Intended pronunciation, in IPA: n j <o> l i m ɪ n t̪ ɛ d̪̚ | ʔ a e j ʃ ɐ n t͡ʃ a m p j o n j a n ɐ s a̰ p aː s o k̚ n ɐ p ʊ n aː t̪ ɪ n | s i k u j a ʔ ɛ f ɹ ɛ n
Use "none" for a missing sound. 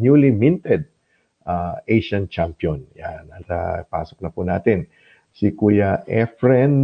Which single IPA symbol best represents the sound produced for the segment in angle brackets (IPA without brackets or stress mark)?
u